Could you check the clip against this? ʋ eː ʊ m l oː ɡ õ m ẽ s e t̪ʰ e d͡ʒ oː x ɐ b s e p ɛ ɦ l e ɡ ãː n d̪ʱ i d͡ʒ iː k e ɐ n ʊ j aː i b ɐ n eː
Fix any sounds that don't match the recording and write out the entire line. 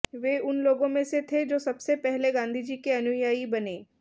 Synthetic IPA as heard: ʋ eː ʊ n l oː ɡ õ m ẽ s e t̪ʰ e d͡ʒ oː s ɐ b s e p ɛ ɦ l e ɡ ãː n d̪ʱ i d͡ʒ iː k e ɐ n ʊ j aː i b ɐ n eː